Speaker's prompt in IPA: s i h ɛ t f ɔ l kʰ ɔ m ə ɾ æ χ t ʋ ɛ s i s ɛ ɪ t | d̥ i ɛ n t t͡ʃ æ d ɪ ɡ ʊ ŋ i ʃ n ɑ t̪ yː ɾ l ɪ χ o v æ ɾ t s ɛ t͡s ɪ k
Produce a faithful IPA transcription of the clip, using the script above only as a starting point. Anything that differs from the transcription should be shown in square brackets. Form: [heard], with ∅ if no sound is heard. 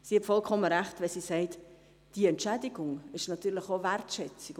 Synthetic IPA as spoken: s i h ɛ t f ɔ l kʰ ɔ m ə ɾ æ χ t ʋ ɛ s i s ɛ ɪ t | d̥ i ɛ n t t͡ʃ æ d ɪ ɡ ʊ ŋ [ɪ] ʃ n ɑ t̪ yː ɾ l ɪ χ o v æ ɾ t [ʃ] ɛ t͡s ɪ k